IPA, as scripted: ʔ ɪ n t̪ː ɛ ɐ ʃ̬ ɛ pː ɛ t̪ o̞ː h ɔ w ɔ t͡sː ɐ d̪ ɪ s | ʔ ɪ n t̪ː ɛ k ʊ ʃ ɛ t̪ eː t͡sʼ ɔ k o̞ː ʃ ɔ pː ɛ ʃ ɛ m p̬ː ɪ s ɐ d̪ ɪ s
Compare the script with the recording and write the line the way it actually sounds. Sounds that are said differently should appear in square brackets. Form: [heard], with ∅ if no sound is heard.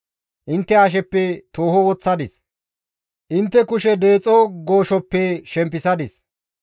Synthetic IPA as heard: ʔ ɪ n t̪ː ɛ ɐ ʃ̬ ɛ pː ɛ t̪ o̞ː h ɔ w ɔ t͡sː ɐ d̪ ɪ s | ʔ ɪ n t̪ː ɛ k ʊ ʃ ɛ [d̪] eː t͡sʼ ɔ [ɡ] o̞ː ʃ ɔ pː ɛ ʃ ɛ m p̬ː ɪ s ɐ d̪ ɪ s